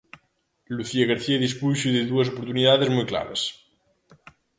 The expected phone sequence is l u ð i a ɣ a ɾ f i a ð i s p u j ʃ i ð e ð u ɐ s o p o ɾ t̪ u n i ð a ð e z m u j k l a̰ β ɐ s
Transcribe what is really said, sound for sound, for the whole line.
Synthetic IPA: l u θ i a ɣ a ɾ θ i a ð i s p u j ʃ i ð e ð u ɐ s o p o ɾ t̪ u n i ð a ð e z m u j k l a̰ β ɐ s